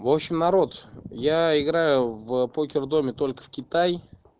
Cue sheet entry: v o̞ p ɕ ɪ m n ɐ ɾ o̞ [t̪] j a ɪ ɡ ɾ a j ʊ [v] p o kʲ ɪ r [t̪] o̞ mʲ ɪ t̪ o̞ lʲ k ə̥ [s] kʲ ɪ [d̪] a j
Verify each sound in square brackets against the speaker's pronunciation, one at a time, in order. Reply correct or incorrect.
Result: correct, correct, incorrect: d̪, incorrect: f, incorrect: t̪

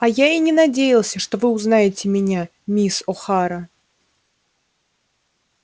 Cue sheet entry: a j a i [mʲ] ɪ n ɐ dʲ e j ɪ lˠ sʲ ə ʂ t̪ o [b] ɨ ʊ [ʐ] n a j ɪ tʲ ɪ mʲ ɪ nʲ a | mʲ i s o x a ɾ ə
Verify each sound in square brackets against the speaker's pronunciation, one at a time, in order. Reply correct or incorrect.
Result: incorrect: nʲ, incorrect: v, incorrect: z

